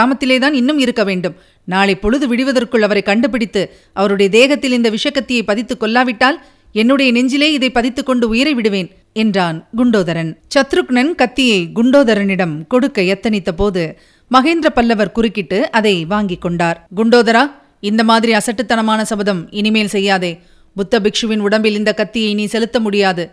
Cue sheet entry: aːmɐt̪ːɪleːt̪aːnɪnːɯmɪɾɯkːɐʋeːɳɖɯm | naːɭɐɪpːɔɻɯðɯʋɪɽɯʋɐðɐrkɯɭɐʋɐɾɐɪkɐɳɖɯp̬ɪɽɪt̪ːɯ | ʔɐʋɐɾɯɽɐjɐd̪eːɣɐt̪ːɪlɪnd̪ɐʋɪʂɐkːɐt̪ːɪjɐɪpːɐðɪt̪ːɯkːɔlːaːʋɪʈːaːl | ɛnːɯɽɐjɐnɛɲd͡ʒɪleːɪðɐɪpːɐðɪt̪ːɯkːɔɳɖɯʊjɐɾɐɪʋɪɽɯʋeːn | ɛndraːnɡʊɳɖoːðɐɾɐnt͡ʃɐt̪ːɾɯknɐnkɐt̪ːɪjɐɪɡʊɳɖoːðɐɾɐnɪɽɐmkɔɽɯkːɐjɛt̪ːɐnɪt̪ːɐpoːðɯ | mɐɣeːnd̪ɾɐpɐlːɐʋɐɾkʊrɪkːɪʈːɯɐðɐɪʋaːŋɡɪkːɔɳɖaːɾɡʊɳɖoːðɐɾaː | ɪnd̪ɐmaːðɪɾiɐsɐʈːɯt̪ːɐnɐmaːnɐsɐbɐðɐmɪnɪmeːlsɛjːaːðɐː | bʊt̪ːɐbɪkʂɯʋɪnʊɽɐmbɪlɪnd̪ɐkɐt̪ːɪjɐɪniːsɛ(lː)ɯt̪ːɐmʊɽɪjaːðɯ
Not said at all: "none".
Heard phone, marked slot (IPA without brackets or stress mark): l